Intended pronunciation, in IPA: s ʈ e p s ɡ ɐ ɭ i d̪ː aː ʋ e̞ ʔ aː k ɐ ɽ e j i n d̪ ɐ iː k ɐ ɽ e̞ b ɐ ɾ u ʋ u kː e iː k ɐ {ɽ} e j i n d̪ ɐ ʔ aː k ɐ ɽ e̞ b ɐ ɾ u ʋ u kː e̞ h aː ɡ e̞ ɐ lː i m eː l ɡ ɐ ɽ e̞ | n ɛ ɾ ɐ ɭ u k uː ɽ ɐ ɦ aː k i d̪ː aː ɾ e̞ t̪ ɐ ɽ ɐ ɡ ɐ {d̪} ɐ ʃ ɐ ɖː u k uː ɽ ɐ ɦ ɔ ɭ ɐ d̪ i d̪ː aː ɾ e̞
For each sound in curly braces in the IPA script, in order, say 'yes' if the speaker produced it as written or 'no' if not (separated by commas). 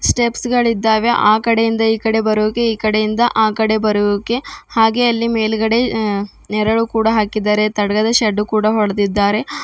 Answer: yes, yes